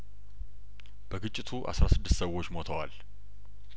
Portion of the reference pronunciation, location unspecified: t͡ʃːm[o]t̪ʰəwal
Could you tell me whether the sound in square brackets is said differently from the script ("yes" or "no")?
no